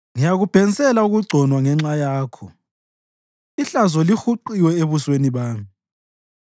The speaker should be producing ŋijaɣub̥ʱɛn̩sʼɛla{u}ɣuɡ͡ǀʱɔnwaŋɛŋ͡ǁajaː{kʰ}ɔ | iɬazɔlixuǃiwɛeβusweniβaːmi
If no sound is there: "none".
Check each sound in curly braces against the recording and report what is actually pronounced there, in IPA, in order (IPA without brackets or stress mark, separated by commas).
u, kʰ